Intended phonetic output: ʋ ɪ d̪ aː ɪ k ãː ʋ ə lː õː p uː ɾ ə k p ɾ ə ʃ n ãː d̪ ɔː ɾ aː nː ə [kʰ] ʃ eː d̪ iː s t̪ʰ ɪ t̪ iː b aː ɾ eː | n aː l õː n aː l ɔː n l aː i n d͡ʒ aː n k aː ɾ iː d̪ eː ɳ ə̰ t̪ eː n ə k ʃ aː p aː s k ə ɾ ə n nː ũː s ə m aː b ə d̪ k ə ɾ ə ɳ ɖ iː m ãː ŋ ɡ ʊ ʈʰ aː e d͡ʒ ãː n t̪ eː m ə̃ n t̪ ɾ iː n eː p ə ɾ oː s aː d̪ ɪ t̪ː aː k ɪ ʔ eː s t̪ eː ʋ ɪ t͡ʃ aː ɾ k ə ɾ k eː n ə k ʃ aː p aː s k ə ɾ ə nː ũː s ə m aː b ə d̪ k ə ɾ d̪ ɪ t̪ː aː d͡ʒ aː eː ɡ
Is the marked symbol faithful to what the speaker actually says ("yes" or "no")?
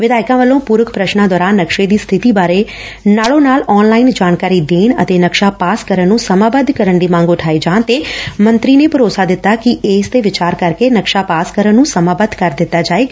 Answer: no